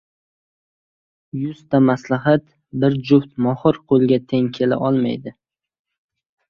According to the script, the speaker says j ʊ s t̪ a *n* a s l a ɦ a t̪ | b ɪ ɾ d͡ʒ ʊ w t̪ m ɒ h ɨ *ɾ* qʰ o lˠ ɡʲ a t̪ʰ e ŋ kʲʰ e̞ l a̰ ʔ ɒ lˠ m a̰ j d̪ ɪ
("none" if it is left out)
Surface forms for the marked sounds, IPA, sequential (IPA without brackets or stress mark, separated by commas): m, ɾ